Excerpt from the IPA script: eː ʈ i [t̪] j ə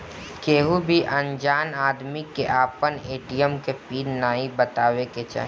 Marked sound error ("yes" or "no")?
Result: yes